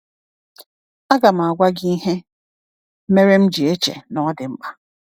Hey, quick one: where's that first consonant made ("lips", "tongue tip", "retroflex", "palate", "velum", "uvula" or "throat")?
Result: velum